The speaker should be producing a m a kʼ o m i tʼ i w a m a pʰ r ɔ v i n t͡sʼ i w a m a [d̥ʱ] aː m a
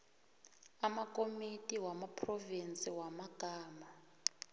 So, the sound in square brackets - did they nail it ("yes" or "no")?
no